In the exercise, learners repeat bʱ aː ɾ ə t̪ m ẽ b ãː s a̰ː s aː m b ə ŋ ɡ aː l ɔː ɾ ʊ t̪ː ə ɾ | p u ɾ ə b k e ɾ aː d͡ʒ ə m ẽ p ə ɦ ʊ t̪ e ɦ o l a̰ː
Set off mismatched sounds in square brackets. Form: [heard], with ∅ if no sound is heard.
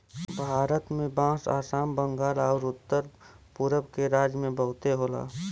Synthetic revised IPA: bʱ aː ɾ ə t̪ m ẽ b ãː s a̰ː s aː m b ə ŋ ɡ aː l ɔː ɾ ʊ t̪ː ə ɾ | p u ɾ ə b k e ɾ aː d͡ʒ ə m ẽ [b] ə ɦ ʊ t̪ e ɦ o l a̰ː